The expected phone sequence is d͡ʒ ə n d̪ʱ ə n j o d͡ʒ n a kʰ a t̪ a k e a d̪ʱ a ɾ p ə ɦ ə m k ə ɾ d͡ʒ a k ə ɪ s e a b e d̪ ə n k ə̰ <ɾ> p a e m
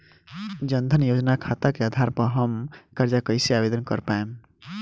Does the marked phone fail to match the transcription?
no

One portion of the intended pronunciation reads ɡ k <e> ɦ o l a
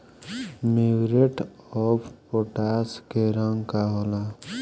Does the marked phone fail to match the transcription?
yes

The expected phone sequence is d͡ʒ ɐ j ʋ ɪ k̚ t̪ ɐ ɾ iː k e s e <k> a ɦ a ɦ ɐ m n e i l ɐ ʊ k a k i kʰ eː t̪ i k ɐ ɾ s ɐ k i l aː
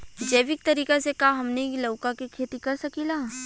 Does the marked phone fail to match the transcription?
no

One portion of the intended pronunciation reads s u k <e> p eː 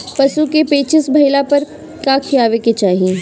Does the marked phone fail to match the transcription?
no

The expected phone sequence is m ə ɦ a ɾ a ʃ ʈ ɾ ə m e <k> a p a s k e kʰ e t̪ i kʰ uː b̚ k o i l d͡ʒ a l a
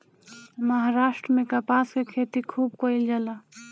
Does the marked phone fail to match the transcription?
no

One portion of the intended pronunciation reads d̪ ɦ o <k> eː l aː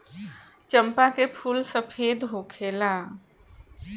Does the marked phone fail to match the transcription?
yes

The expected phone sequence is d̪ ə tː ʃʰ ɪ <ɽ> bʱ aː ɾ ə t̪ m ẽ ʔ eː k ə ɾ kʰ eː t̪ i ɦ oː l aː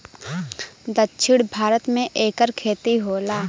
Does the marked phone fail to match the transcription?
no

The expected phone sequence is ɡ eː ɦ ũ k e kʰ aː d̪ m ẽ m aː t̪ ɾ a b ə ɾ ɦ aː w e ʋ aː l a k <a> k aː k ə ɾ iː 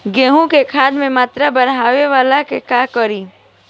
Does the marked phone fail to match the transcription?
yes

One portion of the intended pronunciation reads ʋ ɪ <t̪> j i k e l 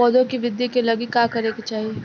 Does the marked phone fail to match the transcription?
yes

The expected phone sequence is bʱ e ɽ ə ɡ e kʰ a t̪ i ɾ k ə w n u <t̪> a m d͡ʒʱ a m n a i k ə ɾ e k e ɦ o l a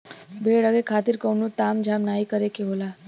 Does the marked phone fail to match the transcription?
no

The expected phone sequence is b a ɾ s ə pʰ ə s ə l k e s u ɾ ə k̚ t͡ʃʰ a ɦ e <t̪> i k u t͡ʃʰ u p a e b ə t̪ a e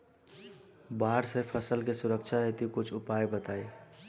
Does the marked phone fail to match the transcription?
no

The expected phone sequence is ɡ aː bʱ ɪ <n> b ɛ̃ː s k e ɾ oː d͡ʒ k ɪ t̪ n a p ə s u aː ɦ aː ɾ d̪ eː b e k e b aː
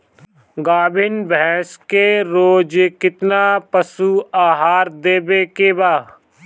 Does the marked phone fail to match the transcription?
no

